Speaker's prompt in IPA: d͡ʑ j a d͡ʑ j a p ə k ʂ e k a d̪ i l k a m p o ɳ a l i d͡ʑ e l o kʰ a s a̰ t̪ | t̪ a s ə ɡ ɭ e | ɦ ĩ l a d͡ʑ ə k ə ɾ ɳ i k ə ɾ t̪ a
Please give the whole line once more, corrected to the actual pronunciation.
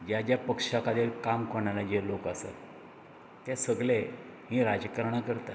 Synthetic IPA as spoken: d͡ʑ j a d͡ʑ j a p ə k ʂ a k a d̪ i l k a m k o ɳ a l a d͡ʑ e l o k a s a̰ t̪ | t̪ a s ə ɡ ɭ e | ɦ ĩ ɾ a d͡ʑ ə k ə ɾ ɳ a k ə ɾ t̪ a